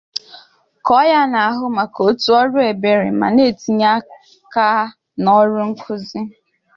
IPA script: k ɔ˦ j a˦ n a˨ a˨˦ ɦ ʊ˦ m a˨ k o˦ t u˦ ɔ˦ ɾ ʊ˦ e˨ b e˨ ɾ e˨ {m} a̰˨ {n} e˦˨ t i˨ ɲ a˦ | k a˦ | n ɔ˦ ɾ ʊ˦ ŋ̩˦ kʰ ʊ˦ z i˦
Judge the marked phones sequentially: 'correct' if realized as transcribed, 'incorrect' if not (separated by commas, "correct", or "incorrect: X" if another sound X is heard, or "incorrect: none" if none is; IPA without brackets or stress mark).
correct, correct